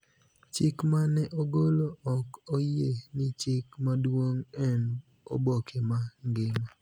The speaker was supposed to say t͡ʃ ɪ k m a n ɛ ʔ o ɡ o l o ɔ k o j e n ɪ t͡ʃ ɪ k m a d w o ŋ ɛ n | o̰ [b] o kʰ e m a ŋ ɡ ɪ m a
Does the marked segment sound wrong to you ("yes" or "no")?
no